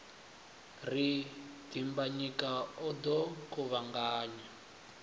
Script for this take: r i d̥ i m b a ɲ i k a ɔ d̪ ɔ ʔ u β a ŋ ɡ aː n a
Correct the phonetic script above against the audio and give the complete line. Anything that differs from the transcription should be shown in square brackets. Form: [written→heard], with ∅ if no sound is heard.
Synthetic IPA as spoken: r i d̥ i m b a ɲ i k a ɔ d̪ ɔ [ʔ→k] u β a ŋ ɡ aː [n→ɲ] a